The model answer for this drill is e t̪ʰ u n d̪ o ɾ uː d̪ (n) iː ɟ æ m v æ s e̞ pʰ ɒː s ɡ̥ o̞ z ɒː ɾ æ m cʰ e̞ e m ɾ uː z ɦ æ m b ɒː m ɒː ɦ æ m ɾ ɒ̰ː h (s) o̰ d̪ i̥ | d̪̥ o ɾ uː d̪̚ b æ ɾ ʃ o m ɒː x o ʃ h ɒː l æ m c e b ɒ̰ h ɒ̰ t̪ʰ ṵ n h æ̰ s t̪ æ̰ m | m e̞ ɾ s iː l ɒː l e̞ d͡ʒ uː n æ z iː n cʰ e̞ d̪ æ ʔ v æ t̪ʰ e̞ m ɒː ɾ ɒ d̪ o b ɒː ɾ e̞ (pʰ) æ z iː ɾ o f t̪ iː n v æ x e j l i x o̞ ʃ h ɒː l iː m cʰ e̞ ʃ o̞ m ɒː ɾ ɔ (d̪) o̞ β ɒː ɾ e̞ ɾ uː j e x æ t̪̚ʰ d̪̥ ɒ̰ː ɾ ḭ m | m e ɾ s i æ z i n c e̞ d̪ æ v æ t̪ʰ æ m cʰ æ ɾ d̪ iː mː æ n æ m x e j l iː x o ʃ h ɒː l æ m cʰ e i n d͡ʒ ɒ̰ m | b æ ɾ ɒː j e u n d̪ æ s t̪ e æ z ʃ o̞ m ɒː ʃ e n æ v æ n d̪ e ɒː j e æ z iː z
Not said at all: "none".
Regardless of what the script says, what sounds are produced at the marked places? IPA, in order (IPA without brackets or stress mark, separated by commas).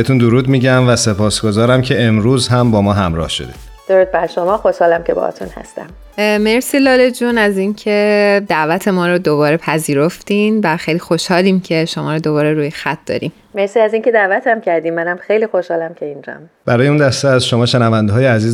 m, ʃ, pʰ, d̪